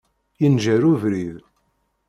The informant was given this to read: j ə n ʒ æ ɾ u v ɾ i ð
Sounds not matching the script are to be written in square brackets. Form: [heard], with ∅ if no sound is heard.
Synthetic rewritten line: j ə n ʒ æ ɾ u v ɾ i ð